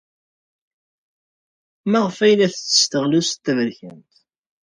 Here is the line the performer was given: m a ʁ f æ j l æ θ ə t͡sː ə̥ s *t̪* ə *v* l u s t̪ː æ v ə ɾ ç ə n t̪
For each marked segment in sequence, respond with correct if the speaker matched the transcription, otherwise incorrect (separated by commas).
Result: correct, incorrect